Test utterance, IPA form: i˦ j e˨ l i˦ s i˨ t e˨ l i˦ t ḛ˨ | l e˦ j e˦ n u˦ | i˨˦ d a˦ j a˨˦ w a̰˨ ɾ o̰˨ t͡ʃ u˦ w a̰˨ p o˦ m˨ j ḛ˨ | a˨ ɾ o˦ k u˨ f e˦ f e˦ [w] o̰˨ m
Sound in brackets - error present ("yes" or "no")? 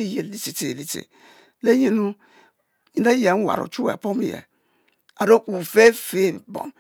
yes